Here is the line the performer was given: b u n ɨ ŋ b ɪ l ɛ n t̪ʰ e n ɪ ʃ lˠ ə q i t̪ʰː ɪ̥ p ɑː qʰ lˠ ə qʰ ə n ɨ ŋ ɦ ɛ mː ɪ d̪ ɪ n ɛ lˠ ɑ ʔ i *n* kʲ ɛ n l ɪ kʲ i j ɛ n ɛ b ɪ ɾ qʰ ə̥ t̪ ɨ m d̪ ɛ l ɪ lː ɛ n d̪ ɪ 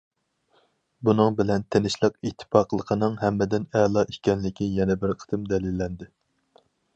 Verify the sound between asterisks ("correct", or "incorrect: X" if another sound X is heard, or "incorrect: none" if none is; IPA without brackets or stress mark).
incorrect: none